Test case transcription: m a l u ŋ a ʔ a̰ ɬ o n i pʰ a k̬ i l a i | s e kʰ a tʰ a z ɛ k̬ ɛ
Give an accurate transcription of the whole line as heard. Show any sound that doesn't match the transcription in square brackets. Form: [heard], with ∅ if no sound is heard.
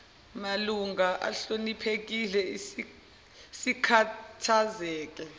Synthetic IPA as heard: m a l u ŋ a ʔ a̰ ɬ o n i pʰ [e] k̬ i l [ɛ] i | s [i] kʰ a tʰ a z [ɛː] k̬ ɛ

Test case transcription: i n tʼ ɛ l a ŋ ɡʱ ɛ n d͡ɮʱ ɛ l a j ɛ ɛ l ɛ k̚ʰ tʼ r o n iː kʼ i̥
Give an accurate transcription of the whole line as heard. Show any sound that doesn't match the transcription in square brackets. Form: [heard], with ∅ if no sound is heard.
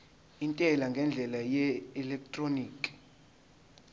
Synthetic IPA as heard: i n tʼ ɛ l a ŋ ɡʱ ɛ n d͡ɮʱ ɛ l a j ɛ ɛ l ɛ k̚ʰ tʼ r o n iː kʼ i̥

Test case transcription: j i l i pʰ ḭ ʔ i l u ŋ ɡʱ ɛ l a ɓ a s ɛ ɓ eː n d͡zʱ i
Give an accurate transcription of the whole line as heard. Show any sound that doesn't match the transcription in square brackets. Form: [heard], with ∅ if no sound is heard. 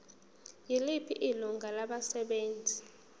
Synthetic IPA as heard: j i l i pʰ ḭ ʔ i l u ŋ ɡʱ [a] l a ɓ a s ɛ ɓ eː n d͡zʱ i

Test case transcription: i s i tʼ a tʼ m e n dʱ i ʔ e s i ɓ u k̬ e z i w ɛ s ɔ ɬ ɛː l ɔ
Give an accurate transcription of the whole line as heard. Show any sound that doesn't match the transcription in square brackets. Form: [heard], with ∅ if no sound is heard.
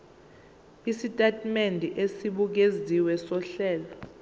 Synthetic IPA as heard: i s i tʼ a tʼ m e n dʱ i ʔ e s i ɓ u k̬ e z i w ɛ s ɔ ɬ ɛː l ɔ

